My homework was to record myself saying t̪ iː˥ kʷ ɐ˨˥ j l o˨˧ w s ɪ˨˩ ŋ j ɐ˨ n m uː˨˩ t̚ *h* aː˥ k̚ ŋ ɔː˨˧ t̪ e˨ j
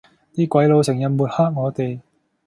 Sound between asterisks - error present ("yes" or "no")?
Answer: no